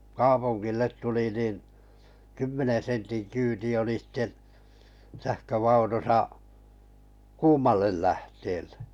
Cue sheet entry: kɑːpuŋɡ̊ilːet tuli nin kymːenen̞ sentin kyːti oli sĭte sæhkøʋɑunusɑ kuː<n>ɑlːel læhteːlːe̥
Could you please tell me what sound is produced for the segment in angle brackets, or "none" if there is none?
m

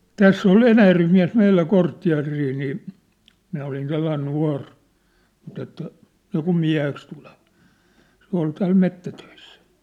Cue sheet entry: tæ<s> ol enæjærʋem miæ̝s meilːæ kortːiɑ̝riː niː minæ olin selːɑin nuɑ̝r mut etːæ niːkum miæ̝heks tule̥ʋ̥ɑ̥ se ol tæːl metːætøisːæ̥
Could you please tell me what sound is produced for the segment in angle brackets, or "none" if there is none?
sː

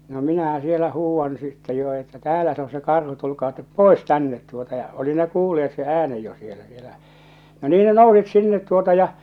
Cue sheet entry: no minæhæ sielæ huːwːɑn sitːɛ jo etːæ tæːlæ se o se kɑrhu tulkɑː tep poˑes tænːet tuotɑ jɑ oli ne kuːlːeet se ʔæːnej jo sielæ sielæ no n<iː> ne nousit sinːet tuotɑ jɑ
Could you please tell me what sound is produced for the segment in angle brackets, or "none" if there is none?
iː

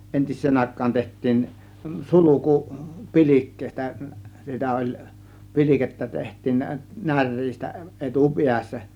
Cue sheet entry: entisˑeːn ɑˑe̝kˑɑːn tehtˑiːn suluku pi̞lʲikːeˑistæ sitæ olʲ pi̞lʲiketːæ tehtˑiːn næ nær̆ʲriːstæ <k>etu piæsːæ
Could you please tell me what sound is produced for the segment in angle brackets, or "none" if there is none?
ʔ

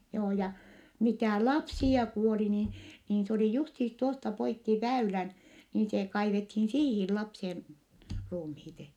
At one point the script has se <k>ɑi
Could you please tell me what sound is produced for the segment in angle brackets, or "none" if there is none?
k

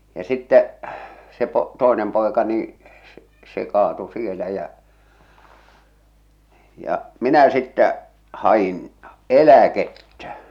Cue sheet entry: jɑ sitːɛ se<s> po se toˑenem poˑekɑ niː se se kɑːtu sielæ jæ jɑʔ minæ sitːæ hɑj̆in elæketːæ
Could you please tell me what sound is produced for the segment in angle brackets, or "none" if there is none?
none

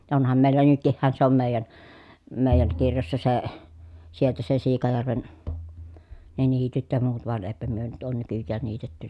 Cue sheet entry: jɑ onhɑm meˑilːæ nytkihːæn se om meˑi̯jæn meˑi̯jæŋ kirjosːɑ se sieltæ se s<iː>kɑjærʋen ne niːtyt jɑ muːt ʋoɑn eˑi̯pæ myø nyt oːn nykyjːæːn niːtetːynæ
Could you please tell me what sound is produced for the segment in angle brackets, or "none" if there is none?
iː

